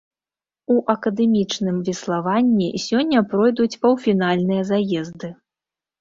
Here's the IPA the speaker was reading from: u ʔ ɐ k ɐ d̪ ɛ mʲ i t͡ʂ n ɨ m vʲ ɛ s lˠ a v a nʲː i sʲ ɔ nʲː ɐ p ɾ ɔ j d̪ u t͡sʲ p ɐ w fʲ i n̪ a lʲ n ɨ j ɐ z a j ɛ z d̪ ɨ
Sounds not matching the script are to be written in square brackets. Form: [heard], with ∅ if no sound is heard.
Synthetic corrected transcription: u ʔ ɐ k ɐ d̪ ɛ mʲ i t͡ʂ n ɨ m vʲ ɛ s lˠ a v a nʲː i sʲ ɔ nʲː ɐ p ɾ ɔ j d̪ u t͡sʲ p ɐ w fʲ i n̪ a lʲ n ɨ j ɐ z a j ɛ z d̪ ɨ